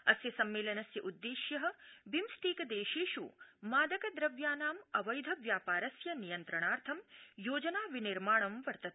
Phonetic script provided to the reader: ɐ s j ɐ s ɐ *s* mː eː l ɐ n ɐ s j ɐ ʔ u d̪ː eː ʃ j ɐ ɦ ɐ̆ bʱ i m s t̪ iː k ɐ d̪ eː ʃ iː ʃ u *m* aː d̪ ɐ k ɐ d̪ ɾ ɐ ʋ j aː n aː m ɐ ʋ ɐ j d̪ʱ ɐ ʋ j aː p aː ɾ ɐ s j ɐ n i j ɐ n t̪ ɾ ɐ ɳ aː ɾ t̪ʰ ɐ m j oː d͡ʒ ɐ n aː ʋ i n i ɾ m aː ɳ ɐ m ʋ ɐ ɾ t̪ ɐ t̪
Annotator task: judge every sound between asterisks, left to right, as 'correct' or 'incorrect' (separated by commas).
incorrect, correct